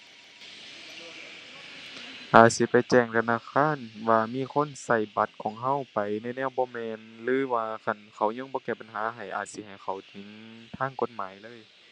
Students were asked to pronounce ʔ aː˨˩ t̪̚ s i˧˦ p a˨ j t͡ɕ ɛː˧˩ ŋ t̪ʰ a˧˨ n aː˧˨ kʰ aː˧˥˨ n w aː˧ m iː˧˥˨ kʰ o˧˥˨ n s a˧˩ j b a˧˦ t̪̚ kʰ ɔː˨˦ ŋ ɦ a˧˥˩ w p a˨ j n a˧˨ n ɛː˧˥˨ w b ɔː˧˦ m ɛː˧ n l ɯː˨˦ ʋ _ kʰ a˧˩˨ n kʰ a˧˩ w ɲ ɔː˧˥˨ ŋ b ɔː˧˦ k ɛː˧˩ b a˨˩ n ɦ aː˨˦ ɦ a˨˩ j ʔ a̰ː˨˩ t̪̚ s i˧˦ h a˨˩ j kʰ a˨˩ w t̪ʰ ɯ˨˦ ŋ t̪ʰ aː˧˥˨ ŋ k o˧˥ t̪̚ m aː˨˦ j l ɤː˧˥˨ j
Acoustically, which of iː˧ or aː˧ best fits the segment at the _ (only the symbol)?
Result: aː˧